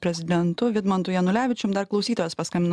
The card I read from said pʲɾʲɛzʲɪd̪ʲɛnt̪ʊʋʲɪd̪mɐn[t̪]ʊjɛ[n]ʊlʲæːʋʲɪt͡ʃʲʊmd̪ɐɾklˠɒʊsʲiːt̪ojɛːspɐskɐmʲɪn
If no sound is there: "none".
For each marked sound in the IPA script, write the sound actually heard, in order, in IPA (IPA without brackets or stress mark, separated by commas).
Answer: t̪, n